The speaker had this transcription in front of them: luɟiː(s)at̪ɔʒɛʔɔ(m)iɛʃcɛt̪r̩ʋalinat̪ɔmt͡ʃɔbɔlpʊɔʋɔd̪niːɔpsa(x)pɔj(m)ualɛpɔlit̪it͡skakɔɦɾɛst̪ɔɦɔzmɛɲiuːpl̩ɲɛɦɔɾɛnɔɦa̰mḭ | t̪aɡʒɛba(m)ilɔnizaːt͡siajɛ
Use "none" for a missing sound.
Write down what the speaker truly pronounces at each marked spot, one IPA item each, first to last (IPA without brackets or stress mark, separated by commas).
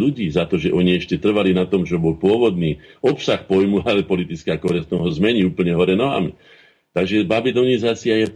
z, ɲ, x, m, b